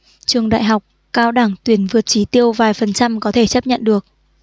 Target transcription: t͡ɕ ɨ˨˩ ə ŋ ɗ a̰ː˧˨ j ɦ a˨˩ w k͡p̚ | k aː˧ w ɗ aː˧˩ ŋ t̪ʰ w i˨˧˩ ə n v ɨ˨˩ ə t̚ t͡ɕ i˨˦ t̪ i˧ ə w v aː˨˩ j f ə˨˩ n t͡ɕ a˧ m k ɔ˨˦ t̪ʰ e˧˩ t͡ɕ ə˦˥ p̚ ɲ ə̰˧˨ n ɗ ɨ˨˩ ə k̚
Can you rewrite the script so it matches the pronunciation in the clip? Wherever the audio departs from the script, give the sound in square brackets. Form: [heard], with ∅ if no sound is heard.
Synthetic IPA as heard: t͡ɕ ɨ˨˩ ə ŋ ɗ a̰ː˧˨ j ɦ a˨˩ w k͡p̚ | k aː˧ w ɗ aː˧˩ ŋ [t̪] w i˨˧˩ ə n v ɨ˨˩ ə t̚ t͡ɕ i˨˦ t̪ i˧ ə w v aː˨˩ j f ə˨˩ n t͡ɕ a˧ m k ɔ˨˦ t̪ʰ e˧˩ t͡ɕ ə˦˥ p̚ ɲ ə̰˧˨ n ɗ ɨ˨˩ ə k̚